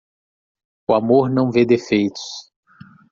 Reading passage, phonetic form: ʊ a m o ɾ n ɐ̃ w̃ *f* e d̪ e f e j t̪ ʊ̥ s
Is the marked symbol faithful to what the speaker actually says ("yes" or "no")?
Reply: no